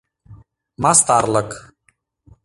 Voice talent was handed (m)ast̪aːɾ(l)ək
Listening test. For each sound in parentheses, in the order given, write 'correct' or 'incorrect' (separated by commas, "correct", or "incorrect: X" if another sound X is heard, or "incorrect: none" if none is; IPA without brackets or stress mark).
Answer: correct, correct